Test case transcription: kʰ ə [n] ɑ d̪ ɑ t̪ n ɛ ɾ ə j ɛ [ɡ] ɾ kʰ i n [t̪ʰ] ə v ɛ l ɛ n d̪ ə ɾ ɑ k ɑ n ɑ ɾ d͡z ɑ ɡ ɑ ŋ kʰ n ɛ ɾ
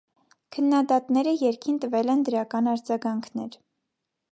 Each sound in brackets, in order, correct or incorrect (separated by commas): incorrect, incorrect, incorrect